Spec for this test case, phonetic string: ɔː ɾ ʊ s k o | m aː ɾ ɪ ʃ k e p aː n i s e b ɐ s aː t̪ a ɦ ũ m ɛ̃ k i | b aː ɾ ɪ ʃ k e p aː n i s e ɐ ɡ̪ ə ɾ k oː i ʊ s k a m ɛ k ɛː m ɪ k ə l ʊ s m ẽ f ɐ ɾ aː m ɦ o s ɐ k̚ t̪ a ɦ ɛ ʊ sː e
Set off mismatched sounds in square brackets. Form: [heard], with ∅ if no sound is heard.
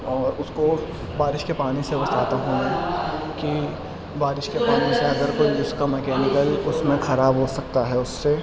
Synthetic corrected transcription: ɔː ɾ ʊ s k o | [b] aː ɾ ɪ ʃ k e p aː n i s e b ɐ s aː t̪ a ɦ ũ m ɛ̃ k i | b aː ɾ ɪ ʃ k e p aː n i s e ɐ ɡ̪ ə ɾ k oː i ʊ s k a m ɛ k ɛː [n] ɪ k ə l ʊ s m ẽ [x] ɐ ɾ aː [b] ɦ o s ɐ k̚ t̪ a ɦ ɛ ʊ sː e